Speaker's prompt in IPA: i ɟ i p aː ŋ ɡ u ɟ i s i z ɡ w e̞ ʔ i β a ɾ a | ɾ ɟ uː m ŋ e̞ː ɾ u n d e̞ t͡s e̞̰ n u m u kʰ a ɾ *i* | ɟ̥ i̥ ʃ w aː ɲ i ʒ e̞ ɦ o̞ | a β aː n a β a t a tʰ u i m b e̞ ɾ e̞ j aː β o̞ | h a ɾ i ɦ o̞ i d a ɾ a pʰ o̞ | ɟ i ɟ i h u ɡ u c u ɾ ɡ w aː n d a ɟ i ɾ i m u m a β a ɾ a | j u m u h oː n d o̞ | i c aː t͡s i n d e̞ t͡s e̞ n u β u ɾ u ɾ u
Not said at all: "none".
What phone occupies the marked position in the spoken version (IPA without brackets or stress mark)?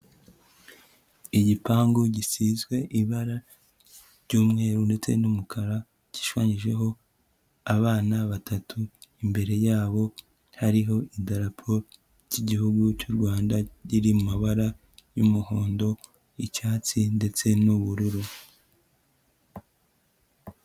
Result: a